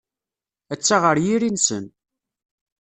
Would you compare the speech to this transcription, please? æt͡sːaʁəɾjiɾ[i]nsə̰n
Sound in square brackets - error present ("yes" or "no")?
no